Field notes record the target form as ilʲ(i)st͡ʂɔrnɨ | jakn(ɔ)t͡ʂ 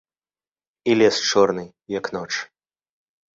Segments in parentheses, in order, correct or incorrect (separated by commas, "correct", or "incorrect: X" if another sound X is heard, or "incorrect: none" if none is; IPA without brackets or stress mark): incorrect: ɛ, correct